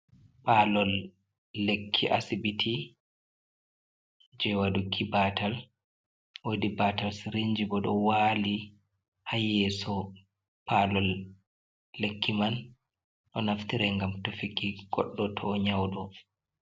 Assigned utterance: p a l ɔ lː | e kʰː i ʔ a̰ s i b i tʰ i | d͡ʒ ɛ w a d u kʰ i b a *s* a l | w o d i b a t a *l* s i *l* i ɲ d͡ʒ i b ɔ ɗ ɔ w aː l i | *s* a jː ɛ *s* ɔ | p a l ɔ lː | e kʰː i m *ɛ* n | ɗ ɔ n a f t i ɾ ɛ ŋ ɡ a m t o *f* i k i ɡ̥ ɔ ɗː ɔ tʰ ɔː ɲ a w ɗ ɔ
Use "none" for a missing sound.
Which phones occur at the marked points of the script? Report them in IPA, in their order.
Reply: t, l, ɾ, h, s, a, f

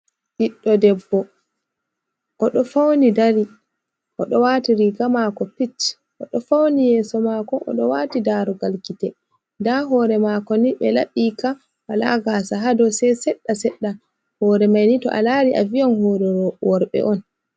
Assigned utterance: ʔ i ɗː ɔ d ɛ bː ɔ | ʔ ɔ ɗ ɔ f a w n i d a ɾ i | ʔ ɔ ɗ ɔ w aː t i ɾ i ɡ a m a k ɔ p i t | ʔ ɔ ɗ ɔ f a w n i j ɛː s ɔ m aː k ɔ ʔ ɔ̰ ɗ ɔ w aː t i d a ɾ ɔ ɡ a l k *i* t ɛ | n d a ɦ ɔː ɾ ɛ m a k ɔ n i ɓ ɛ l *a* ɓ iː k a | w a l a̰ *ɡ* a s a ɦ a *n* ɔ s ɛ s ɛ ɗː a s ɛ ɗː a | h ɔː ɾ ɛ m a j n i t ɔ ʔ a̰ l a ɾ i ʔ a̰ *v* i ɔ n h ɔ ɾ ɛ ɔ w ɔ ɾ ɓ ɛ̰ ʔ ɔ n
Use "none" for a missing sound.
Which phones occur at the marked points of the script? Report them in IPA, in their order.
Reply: i, a, ɡ, d, v

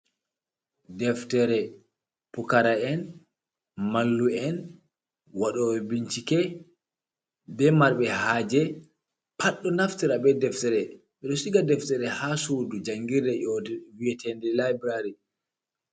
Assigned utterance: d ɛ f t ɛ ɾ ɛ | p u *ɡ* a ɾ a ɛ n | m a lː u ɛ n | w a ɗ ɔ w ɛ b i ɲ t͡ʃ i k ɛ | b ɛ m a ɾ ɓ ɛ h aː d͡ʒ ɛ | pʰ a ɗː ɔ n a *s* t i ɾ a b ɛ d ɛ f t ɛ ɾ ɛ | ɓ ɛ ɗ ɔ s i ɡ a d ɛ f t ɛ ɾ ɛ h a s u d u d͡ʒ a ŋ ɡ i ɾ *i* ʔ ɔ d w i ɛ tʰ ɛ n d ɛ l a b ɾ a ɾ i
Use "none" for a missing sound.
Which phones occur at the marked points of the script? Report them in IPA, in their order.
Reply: k, f, ɛ

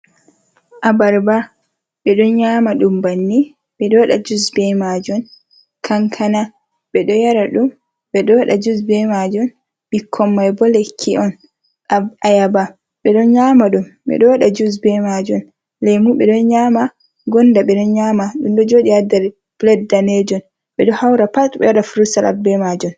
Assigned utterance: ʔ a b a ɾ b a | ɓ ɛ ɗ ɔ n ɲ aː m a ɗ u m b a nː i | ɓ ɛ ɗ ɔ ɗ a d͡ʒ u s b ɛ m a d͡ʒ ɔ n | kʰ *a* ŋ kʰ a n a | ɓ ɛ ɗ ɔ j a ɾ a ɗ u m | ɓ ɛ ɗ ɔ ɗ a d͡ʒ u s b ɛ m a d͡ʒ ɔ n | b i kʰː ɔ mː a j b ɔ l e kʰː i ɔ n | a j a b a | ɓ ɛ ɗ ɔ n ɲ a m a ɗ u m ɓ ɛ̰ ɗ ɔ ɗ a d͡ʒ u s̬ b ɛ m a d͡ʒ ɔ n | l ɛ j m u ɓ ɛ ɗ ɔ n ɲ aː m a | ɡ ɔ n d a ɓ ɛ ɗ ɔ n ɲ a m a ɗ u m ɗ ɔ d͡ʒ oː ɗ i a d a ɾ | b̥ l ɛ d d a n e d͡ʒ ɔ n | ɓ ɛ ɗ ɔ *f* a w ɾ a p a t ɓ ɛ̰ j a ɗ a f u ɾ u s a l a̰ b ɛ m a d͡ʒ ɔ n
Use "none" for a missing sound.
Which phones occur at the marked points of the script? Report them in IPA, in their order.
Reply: a, h

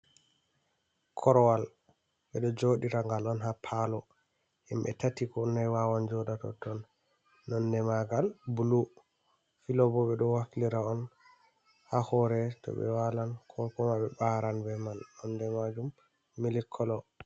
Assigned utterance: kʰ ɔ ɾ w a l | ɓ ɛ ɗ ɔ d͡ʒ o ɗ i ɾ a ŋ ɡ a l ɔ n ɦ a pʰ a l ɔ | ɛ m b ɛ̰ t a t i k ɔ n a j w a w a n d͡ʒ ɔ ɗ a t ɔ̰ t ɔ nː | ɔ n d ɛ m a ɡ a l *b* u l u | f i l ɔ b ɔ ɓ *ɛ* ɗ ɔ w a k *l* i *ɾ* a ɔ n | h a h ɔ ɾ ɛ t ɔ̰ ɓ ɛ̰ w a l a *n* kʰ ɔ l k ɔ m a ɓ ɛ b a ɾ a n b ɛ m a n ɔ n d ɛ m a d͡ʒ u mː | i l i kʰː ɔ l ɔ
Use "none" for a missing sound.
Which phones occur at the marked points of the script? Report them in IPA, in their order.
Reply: b, ɛ, l, ɾ, n

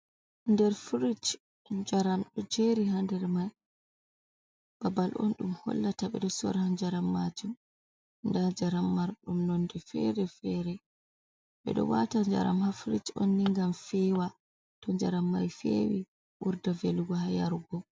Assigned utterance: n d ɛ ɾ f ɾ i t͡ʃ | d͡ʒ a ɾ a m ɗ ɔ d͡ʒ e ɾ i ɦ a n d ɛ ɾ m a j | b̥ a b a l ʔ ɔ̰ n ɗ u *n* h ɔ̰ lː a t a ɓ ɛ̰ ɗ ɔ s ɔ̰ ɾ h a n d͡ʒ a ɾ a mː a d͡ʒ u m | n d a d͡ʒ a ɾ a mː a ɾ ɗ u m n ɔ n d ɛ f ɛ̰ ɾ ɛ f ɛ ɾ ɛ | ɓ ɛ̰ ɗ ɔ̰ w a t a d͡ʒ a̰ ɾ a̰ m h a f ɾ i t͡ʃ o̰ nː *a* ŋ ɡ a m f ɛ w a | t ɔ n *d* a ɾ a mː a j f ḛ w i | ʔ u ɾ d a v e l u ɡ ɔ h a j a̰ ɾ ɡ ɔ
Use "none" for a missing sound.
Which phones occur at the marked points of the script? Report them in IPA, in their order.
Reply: m, i, d͡ʒ

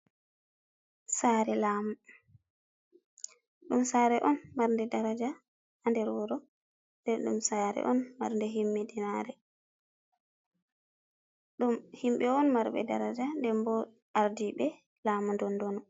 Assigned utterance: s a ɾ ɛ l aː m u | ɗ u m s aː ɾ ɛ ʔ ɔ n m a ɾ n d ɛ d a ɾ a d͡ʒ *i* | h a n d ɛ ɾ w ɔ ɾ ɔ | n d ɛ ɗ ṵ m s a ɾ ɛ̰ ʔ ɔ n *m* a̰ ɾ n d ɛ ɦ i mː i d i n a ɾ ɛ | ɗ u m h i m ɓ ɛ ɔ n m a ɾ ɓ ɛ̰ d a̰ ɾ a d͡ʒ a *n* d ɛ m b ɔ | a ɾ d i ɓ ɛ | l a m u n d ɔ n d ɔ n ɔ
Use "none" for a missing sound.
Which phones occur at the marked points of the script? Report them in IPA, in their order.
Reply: a, m, n

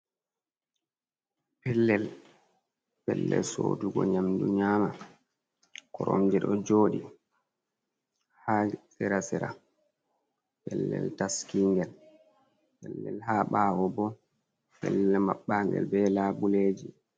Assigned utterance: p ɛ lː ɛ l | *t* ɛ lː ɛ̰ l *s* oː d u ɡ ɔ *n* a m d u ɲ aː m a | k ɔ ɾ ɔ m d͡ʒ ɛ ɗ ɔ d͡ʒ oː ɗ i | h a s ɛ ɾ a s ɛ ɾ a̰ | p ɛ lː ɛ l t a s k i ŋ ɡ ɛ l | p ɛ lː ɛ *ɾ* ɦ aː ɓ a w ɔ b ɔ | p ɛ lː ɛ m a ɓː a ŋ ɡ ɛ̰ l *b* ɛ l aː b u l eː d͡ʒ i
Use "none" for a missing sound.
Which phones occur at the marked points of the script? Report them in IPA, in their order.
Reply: p, s, ɲ, l, b

